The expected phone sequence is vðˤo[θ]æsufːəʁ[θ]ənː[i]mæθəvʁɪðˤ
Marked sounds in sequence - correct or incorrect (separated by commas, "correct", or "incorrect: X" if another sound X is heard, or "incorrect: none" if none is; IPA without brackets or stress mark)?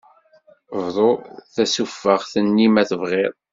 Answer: correct, correct, correct